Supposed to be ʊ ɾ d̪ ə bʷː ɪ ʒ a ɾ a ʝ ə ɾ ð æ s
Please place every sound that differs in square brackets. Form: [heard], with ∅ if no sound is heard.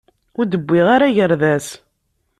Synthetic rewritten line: ʊ ɾ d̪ ə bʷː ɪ [ʁ] a ɾ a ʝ ə ɾ ð æ s